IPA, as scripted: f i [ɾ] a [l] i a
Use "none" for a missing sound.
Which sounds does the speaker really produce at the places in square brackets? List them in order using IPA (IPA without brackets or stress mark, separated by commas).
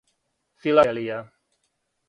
l, l